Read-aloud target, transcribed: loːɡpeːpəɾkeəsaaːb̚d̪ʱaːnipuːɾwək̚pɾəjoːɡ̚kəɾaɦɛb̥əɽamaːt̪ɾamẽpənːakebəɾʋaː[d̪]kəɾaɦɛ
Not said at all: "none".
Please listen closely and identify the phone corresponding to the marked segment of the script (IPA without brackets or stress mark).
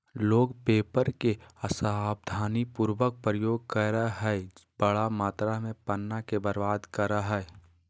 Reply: d̪